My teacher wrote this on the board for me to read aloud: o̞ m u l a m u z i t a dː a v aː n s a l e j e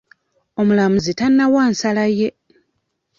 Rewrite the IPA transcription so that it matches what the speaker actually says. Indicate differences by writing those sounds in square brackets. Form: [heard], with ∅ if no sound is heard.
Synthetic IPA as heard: o̞ m u l a m u z i t a [nː] a [w] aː n s a l [a] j e

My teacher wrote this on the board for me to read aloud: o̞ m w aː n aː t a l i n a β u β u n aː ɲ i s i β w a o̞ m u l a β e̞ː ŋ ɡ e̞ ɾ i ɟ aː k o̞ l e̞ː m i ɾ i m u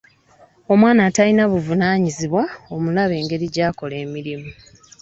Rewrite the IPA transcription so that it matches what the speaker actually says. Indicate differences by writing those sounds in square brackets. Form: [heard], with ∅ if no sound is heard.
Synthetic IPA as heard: o̞ m w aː n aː t a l i n a β u [v] u n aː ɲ i [z] i β w a o̞ m u l a β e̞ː ŋ ɡ e̞ ɾ i ɟ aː k o̞ l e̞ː m i ɾ i m u

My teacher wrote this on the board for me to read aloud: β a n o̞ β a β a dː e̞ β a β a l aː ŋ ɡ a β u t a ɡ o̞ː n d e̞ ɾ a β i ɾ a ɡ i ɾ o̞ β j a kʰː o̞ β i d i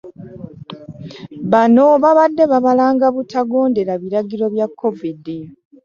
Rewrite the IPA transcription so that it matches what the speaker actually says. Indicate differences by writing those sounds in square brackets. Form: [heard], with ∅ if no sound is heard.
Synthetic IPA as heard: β a n o̞ β a β a dː e̞ β a β a l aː ŋ ɡ a β u t a ɡ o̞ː n d e̞ ɾ a β i ɾ a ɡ i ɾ o̞ β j a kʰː o̞ [v] i d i

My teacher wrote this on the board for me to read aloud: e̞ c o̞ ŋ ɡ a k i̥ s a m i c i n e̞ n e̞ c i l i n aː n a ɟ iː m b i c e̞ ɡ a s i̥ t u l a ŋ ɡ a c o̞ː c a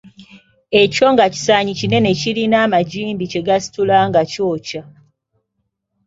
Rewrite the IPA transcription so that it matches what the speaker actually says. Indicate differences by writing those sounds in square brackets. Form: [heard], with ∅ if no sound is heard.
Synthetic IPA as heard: e̞ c o̞ ŋ ɡ a [c] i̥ s a [ɲ] i c i n e̞ n e̞ c i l i n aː [m] a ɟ iː m b i c e̞ ɡ a s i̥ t u l a ŋ ɡ a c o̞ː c a

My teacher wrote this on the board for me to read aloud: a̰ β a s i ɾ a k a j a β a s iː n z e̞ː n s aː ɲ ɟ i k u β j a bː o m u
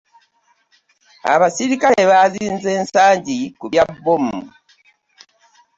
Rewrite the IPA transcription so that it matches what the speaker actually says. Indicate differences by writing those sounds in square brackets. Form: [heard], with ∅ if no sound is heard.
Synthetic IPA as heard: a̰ β a s i ɾ [i] k a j [e] β a [z] iː n z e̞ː n s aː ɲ ɟ i k u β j a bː o m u

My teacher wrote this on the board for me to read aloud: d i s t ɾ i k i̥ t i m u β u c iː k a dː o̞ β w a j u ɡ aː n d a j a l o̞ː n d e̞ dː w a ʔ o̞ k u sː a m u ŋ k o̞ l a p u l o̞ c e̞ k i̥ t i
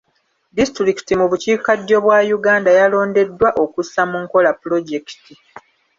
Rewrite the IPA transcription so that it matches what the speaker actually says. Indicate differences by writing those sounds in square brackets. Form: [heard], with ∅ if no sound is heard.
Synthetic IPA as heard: d i s t ɾ i k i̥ t i m u β u c iː k a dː o̞ β w a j u ɡ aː n d a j a l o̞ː n d e̞ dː w a ʔ o̞ k u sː a m u ŋ k o̞ l a p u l o̞ [ɟ] e̞ k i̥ t i

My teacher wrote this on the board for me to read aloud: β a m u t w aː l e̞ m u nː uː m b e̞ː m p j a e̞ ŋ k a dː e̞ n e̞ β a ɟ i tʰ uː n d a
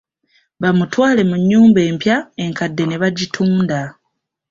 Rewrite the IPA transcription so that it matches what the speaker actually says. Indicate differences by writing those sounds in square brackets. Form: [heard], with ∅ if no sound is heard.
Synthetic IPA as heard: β a m u t w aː l e̞ m u [ɲː] uː m b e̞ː m p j a e̞ ŋ k a dː e̞ n e̞ β a ɟ i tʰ uː n d a

